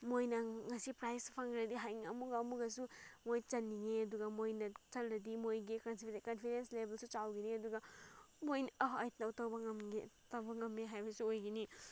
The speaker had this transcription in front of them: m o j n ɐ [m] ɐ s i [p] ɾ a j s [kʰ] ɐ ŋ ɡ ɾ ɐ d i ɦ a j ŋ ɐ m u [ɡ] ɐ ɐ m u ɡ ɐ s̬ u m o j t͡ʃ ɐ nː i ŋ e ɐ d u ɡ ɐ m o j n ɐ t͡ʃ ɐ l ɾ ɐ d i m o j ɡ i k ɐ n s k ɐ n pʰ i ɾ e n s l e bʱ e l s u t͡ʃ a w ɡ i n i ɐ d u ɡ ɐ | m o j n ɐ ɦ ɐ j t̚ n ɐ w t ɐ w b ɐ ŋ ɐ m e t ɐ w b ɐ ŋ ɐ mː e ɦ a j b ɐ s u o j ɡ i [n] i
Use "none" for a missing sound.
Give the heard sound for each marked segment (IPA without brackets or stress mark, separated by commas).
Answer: ŋ, p, pʰ, ɡ, n